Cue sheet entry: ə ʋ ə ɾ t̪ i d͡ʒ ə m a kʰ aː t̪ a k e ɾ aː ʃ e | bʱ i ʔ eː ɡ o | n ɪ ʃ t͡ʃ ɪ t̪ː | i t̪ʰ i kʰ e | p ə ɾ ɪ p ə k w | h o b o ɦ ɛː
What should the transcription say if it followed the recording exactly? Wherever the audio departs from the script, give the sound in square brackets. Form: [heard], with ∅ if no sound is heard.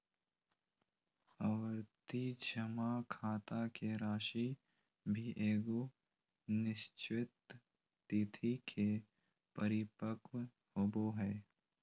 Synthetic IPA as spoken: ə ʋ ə ɾ t̪ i d͡ʒ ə m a kʰ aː t̪ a k e ɾ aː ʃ [i] | bʱ i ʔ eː ɡ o | n ɪ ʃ t͡ʃ ɪ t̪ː | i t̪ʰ i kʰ e | p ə ɾ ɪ p ə k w | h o b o ɦ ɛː